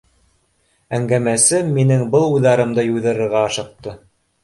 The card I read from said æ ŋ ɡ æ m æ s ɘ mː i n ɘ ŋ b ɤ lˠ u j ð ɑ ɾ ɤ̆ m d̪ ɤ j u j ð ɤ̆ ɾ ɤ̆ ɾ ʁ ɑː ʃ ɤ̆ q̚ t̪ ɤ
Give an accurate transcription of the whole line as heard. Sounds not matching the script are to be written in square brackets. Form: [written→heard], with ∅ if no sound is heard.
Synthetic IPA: æ ŋ ɡ æ m æ s ɘ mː i n ɘ ŋ b ɤ lˠ u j ð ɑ ɾ ɤ̆ m d̪ ɤ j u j ð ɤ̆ ɾ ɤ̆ ɾ ʁ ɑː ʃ ɤ̆ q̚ t̪ ɤ